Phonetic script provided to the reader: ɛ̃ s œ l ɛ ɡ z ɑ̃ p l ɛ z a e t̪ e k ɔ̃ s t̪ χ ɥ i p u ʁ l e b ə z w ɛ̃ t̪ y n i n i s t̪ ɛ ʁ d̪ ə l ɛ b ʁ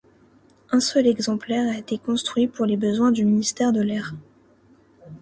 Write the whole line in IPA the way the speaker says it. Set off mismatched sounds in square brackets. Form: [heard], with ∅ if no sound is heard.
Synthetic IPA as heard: ɛ̃ s œ l ɛ ɡ z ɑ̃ p l ɛ [ʁ] a e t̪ e k ɔ̃ s t̪ χ ɥ i p u ʁ l e b ə z w ɛ̃ [d̪] y [m] i n i s t̪ ɛ ʁ d̪ ə l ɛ [∅] ʁ